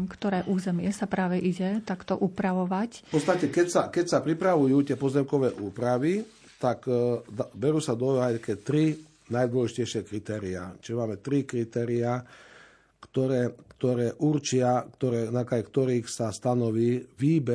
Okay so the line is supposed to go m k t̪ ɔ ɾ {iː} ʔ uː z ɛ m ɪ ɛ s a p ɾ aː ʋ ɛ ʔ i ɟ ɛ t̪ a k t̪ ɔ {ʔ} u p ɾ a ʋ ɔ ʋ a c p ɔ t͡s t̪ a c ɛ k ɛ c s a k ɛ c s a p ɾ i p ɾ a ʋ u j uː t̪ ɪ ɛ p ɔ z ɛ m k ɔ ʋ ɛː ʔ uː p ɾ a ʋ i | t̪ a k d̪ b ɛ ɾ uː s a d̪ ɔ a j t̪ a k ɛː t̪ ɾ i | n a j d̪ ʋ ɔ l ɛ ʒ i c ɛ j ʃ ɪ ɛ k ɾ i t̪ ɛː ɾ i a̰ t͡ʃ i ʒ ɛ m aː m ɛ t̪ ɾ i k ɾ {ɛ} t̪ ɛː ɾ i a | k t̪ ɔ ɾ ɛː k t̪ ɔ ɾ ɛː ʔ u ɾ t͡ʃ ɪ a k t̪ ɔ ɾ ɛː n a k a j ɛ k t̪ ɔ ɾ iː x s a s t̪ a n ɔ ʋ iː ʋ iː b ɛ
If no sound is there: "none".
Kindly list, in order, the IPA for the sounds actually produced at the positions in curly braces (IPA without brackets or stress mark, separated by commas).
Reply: ɛː, ʔ, i